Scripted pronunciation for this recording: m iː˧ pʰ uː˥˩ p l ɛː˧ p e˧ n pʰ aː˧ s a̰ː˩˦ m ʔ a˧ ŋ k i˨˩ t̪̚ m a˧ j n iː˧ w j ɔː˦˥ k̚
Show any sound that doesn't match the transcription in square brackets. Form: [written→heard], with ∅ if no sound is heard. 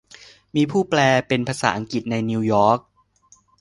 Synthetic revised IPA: m iː˧ pʰ uː˥˩ p l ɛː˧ p e˧ n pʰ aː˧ s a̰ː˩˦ [m→∅] ʔ a˧ ŋ k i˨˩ t̪̚ [m→n] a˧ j n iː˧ w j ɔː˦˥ k̚